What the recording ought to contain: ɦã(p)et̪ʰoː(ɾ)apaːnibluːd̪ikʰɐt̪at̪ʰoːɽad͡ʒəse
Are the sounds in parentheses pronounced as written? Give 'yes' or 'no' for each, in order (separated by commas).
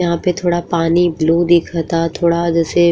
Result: yes, no